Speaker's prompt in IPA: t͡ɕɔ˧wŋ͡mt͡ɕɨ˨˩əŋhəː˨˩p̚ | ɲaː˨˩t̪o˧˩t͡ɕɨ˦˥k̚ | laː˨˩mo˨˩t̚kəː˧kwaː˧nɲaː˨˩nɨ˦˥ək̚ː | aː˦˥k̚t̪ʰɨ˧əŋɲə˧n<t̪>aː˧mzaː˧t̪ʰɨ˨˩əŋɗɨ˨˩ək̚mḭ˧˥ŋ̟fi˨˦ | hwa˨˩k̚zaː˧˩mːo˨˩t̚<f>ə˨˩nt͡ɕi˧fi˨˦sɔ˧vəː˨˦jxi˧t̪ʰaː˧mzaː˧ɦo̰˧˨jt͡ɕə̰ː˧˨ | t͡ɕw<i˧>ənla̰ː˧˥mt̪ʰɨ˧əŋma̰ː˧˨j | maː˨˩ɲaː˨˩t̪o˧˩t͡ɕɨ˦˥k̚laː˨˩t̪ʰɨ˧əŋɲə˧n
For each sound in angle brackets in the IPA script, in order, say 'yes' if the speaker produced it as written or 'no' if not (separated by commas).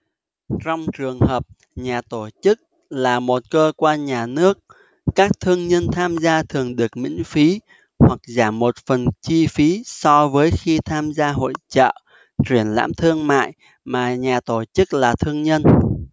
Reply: no, yes, no